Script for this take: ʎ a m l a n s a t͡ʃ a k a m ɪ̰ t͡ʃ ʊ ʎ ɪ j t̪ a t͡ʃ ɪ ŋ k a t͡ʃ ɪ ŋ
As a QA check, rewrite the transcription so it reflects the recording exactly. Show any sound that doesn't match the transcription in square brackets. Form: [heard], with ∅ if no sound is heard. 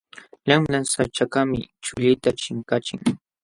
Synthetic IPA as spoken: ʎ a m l a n s a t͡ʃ a k a m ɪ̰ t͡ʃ ʊ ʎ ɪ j t̪ a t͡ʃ ɪ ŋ k a t͡ʃ ɪ ŋ